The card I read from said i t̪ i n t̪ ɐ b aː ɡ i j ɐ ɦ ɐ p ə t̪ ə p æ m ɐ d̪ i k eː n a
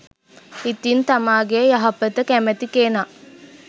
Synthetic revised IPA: i t̪ i n t̪ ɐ m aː ɡ e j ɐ ɦ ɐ p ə t̪ ə k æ m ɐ t̪ i k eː n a